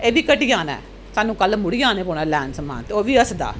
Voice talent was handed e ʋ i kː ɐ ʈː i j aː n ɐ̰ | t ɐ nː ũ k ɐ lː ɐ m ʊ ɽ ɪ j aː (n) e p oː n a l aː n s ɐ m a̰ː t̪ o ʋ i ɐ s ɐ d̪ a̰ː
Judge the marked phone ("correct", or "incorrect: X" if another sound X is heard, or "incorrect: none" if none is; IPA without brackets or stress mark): correct